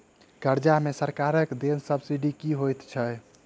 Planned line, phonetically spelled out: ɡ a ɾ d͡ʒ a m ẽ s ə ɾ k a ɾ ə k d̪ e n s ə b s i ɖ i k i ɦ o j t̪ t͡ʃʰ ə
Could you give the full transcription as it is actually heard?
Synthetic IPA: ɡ ə ɾ d͡ʒ a m e s ə ɾ k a ɾ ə k d̪ e n s ə b s i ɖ i k i ɦ o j t̪ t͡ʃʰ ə